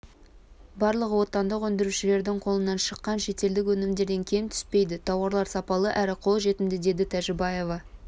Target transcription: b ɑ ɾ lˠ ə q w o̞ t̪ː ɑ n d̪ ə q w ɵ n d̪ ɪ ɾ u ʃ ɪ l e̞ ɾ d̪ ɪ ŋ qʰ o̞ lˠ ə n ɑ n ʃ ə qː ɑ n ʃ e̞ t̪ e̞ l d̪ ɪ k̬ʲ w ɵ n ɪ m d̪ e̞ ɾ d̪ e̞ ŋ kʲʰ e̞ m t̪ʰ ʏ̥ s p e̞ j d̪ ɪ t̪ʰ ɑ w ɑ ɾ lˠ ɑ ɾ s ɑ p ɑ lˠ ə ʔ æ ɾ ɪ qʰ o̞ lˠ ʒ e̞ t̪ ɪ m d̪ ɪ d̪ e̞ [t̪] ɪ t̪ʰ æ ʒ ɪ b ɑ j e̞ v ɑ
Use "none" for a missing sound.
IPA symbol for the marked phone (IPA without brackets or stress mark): d̪